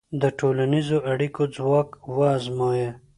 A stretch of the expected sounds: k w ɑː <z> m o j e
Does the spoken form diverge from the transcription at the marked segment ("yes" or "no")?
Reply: no